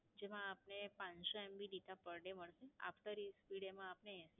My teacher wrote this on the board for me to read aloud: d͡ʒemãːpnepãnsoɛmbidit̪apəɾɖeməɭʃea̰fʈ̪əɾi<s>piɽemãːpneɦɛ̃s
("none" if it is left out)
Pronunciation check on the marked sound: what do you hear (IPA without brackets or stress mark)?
s